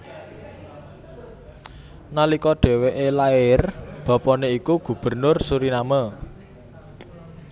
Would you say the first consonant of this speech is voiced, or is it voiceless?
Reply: voiced